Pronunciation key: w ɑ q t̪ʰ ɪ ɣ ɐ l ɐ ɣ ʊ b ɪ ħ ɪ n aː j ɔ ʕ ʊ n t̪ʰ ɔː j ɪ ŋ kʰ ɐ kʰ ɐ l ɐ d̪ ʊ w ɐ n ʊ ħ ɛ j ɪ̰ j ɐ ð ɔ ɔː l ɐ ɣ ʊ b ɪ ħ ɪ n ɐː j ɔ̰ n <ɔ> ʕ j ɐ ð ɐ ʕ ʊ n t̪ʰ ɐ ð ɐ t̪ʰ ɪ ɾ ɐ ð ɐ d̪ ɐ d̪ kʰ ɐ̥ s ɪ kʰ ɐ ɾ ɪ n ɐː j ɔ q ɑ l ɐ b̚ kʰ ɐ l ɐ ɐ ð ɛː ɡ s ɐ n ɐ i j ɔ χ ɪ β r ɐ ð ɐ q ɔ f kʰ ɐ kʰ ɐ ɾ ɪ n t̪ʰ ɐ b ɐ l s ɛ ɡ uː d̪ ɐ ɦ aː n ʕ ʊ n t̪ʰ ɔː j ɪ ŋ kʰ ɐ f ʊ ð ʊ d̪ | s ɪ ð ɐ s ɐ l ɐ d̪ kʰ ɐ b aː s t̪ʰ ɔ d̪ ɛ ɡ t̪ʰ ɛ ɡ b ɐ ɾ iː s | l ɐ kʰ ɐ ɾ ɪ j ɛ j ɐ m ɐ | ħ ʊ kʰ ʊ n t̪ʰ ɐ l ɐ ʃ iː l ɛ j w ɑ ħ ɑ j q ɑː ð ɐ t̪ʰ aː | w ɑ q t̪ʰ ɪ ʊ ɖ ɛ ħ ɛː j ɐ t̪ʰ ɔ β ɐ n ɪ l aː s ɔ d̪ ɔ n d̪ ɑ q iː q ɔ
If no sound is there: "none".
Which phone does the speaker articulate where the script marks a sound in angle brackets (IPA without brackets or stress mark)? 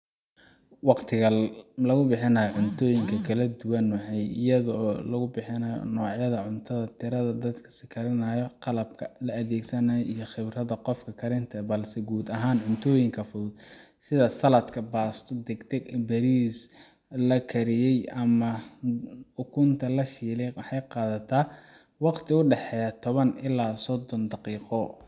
ɔː